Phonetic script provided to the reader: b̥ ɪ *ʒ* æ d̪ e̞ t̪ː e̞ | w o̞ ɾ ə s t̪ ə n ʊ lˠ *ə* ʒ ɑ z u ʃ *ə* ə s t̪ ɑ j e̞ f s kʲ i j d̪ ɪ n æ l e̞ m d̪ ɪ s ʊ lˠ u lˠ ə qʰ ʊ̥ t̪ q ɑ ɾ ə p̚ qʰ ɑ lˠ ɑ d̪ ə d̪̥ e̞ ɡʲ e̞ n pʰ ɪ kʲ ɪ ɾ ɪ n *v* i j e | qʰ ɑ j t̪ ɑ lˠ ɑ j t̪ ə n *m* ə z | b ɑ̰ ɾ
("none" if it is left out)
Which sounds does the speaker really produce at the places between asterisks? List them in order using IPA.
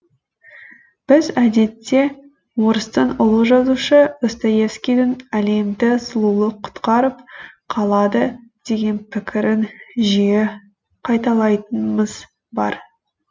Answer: z, ə, ə, ʒ, m

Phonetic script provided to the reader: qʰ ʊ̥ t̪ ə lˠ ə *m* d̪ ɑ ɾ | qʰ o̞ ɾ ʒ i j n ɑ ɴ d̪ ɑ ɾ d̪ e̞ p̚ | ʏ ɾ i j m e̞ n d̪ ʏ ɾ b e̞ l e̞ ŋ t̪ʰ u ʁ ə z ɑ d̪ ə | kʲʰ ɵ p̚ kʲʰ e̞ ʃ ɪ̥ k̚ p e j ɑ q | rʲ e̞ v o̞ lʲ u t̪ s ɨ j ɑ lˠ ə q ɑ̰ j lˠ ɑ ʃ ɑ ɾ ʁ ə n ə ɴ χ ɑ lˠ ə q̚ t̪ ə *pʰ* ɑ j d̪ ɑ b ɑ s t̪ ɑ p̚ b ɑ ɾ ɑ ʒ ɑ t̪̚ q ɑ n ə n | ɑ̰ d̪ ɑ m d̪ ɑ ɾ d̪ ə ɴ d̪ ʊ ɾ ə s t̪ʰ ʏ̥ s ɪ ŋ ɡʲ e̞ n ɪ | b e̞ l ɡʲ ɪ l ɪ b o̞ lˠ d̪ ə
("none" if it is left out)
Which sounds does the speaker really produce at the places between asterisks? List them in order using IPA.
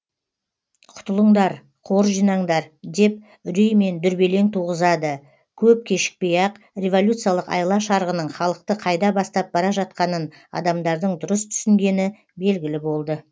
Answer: ɴ, qʰ

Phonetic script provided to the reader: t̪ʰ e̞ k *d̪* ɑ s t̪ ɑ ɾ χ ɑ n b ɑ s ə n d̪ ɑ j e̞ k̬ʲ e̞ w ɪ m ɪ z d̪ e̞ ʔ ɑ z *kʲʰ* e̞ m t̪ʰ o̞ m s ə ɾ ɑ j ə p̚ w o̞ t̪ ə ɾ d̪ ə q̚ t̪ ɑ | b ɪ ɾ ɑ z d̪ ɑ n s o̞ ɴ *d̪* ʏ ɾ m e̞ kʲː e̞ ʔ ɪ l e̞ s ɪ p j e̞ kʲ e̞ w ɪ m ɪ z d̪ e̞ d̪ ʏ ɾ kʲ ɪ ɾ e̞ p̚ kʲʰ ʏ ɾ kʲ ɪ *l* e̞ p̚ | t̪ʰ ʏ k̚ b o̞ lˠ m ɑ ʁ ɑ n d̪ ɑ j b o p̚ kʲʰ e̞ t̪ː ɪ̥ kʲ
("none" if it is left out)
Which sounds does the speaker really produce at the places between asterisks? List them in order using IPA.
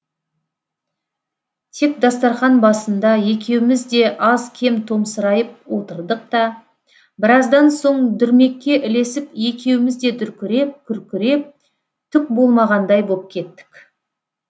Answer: d̪, kʲʰ, d̪, ɾ

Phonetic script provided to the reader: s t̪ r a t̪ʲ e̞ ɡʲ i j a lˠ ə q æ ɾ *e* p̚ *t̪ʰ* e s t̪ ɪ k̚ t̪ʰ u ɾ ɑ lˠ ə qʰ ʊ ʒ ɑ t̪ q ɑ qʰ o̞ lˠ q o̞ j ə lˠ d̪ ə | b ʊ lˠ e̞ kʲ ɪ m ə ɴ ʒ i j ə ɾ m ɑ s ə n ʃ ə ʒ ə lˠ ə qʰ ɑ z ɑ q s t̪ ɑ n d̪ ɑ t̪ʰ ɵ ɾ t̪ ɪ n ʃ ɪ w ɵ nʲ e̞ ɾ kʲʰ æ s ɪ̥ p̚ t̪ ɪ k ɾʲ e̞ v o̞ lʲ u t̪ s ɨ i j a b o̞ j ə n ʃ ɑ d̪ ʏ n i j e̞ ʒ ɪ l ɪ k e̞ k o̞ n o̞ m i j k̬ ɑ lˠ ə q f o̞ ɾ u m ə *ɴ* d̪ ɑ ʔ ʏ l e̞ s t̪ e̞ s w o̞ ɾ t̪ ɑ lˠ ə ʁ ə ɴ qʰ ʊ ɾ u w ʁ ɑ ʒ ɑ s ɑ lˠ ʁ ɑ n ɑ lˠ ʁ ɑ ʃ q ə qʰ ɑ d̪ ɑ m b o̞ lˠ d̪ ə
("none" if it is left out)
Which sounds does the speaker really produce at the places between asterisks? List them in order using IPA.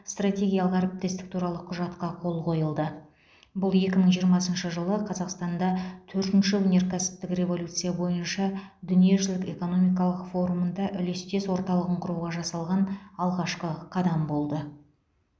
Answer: e, t̪, n

